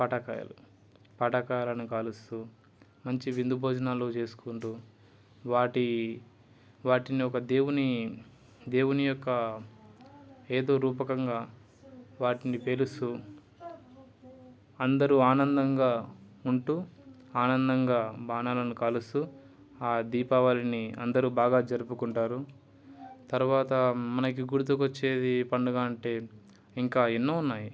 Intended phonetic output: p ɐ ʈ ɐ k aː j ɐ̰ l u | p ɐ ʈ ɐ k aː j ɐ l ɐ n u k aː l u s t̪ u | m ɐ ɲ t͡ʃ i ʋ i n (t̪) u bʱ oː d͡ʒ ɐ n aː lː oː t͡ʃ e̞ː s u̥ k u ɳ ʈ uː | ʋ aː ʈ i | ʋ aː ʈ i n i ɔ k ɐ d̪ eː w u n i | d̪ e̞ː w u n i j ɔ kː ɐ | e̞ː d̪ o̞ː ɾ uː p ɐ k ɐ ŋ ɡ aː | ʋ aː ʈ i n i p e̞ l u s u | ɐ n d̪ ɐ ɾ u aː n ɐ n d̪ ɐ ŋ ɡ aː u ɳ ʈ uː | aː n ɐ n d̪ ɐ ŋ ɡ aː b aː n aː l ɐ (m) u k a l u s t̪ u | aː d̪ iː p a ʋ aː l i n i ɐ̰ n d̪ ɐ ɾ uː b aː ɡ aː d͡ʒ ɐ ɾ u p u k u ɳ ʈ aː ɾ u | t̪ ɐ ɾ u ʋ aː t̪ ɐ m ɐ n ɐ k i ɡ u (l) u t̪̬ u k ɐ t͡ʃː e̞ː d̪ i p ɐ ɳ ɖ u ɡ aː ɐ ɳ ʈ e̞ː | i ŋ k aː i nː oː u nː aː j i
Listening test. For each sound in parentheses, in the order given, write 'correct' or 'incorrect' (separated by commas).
incorrect, incorrect, incorrect